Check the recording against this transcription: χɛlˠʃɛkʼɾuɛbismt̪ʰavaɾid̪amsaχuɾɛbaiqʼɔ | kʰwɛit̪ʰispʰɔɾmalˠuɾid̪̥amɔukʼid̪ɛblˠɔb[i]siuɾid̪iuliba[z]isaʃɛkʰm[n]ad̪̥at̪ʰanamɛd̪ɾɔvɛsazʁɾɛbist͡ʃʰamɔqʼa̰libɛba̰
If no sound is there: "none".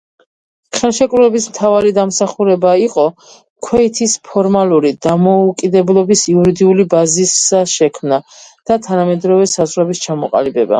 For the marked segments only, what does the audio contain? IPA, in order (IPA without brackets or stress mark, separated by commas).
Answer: i, z, n